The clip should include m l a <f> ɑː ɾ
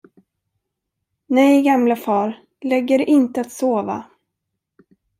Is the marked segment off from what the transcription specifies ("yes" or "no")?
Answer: no